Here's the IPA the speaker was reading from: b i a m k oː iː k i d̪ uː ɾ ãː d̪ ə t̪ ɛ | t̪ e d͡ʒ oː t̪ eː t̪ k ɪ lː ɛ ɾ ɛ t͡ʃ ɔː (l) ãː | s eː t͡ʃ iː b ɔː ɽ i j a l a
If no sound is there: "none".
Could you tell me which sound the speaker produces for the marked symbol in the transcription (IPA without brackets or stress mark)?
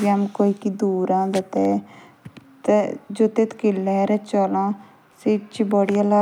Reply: l